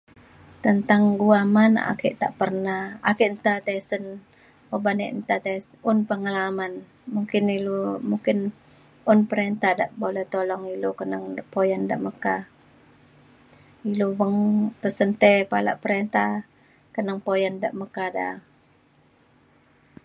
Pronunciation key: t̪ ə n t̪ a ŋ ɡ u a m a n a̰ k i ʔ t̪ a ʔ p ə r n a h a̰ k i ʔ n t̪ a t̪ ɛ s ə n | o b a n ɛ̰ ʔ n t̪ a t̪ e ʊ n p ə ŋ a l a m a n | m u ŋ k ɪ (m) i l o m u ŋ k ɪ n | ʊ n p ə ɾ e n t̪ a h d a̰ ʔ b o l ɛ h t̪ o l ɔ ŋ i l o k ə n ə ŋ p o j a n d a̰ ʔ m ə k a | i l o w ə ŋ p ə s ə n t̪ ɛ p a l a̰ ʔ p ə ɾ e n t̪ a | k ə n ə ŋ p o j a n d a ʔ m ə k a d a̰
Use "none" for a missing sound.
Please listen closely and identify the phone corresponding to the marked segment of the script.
n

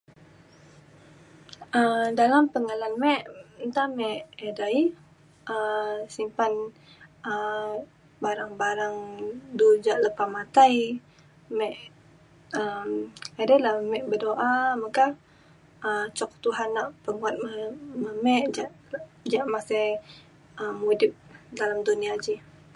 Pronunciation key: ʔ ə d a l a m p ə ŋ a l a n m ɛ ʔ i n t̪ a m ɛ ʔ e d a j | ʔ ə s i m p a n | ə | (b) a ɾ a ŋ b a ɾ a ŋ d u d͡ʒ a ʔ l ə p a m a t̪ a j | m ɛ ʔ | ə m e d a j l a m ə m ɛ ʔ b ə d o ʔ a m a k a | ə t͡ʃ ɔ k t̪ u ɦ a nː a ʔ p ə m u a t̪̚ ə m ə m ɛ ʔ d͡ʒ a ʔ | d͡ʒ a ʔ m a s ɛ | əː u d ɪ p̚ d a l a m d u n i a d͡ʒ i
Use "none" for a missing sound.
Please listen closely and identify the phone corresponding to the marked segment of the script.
b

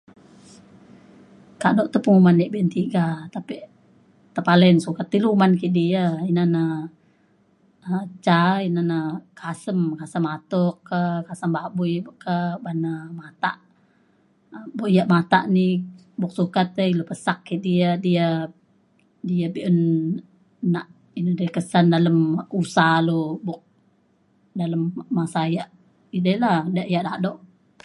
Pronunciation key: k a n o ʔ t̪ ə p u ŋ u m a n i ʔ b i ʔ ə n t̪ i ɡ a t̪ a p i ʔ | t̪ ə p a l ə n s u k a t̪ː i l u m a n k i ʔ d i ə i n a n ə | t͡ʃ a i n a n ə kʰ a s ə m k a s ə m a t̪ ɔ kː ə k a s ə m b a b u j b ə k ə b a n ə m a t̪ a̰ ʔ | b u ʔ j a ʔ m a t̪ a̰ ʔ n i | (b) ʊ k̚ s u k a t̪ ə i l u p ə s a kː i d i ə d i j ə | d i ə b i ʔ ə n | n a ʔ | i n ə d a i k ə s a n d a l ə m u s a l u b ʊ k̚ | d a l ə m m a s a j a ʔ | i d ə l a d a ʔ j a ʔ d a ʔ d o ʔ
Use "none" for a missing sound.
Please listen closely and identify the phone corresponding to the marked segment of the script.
b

